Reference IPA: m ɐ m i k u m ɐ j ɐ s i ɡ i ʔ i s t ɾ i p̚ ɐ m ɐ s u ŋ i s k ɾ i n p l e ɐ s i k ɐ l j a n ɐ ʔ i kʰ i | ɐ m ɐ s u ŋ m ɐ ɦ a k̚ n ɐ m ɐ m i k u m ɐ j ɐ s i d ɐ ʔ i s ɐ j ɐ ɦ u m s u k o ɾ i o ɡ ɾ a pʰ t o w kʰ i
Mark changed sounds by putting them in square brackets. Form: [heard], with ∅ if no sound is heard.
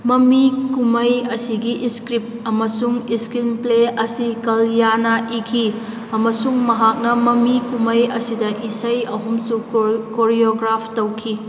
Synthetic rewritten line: m ɐ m i k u m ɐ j ɐ s i ɡ i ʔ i s [k] ɾ i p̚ ɐ m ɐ s u ŋ i s k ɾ i n p l e ɐ s i k ɐ l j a n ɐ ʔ i kʰ i | ɐ m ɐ s u ŋ m ɐ ɦ a k̚ n ɐ m ɐ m i k u m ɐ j ɐ s i d ɐ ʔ i s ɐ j ɐ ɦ u m s u k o ɾ i o ɡ ɾ a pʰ t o w kʰ i